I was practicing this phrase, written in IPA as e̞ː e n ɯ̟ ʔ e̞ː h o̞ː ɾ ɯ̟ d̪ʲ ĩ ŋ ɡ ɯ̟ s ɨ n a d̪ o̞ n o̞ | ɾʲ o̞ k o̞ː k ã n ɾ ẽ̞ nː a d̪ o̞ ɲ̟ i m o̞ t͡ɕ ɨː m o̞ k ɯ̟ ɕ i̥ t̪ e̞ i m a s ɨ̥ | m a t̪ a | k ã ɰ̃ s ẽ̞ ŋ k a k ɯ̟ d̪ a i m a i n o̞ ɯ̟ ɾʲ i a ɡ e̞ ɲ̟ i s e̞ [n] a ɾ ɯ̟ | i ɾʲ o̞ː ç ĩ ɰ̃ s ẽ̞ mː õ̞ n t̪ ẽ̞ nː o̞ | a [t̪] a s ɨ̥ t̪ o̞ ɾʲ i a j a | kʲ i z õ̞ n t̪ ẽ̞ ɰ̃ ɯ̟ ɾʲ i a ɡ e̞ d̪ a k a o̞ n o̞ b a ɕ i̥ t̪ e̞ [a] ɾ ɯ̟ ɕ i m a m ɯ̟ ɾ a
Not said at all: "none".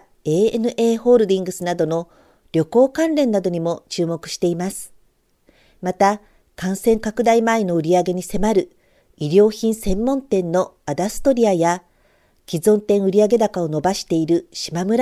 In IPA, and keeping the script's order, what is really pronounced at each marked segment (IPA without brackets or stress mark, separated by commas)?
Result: m, d̪, i